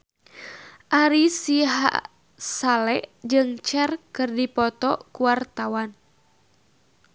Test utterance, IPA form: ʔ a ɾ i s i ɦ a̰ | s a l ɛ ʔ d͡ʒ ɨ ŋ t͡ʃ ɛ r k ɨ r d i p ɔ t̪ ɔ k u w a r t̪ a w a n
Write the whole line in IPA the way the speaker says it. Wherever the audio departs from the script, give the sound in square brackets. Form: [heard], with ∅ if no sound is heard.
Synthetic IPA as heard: ʔ a ɾ i s i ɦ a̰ | s a l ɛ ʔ d͡ʒ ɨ ŋ t͡ʃ ɛ r k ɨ r d i p ɔ t̪ ɔ k u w a r t̪ a w a n